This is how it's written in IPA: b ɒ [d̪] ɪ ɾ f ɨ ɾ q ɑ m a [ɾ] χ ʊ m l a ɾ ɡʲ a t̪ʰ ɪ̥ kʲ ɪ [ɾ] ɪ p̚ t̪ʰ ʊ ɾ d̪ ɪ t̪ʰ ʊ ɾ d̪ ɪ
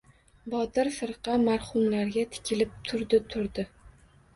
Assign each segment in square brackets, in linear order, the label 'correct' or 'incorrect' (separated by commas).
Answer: incorrect, correct, incorrect